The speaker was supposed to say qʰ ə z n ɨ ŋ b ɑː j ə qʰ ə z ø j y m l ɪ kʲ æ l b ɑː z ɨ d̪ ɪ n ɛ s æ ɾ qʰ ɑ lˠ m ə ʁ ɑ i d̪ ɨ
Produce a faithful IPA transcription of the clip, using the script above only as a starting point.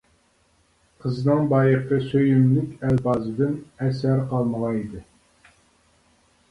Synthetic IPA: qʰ ə z n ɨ ŋ b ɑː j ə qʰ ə s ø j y m l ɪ kʲ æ l b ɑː z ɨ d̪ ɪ n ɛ s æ ɾ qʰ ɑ lˠ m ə ʁ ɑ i d̪ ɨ